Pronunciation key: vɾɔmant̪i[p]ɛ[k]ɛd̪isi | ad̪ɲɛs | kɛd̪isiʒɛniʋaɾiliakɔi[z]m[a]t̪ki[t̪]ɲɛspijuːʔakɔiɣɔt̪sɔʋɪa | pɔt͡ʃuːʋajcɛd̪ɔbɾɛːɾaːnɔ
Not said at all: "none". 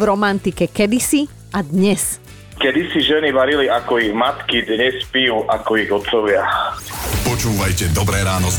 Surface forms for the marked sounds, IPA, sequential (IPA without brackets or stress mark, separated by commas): k, k, ɣ, a, d̪